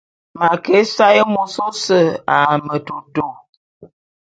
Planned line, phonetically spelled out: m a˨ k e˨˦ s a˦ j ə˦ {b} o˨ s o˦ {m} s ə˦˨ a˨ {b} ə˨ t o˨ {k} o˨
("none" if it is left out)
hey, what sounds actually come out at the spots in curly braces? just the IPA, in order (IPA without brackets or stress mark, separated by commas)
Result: m, none, m, t